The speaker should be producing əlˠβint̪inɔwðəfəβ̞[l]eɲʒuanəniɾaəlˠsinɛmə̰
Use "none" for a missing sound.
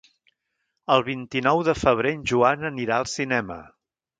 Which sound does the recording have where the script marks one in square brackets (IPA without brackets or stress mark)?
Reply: ɾ